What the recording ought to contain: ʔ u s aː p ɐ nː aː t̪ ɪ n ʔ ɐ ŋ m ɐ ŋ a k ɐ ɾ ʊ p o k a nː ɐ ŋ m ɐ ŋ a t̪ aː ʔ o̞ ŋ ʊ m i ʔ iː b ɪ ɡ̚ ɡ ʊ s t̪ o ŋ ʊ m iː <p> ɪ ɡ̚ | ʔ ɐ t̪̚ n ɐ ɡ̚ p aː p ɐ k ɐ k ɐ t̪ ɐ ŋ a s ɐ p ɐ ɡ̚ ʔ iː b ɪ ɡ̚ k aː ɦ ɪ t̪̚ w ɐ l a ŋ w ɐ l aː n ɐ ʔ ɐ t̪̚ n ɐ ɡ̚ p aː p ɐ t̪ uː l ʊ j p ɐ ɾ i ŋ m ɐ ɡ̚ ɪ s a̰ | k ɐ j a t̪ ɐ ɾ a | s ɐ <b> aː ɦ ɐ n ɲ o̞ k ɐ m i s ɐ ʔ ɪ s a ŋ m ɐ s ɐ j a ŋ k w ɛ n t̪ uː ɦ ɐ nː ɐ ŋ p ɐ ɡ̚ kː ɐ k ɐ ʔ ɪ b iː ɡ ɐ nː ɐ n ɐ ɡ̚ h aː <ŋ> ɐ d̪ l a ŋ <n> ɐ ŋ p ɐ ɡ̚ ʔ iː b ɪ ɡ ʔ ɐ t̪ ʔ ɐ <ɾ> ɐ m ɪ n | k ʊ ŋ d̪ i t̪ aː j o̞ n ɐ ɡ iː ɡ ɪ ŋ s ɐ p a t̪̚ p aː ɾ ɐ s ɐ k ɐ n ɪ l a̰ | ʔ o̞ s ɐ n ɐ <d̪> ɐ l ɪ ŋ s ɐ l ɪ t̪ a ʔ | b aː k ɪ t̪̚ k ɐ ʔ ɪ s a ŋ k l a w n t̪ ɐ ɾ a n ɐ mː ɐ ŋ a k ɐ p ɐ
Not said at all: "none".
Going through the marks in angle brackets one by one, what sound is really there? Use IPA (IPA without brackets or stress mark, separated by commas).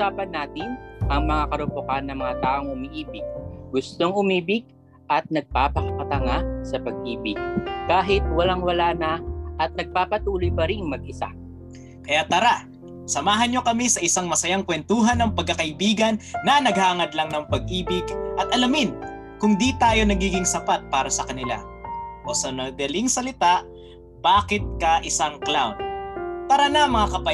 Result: b, m, ŋ, n, l, d̪